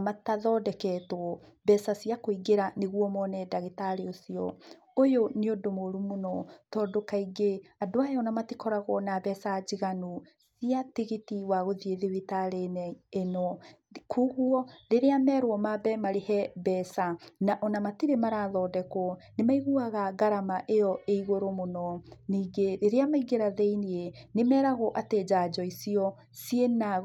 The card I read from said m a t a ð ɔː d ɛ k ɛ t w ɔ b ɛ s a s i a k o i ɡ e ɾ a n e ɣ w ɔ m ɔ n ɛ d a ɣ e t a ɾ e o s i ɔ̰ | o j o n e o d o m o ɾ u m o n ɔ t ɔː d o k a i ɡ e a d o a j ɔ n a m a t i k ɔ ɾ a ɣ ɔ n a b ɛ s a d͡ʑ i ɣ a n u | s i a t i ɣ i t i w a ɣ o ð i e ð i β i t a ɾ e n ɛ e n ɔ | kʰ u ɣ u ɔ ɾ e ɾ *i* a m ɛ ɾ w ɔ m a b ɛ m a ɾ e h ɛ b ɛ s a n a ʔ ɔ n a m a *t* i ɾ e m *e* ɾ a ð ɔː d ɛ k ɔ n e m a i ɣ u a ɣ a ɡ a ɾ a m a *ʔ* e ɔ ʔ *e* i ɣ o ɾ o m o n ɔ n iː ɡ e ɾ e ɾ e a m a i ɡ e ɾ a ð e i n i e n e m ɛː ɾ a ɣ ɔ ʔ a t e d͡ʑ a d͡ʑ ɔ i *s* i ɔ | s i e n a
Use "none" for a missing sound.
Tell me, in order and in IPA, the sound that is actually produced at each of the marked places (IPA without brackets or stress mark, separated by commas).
e, t, a, ʔ, e, s